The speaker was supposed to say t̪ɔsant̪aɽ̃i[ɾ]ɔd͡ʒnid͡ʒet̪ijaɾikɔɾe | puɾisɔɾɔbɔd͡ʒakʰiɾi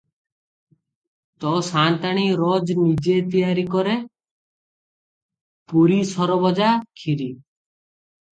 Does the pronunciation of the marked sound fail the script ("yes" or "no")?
no